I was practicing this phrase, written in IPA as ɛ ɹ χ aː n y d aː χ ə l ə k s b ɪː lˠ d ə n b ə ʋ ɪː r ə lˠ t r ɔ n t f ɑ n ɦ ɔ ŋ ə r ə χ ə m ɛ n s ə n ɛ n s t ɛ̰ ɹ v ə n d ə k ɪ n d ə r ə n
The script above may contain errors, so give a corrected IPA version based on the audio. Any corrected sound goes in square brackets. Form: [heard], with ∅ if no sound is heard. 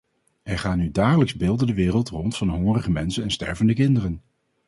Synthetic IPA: ɛ ɹ χ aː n y d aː χ ə l ə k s b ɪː lˠ d ə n [d] ə ʋ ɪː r ə lˠ t r ɔ n t f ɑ n ɦ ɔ ŋ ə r ə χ ə m ɛ n s ə n ɛ n s t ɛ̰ ɹ v ə n d ə k ɪ n d ə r ə n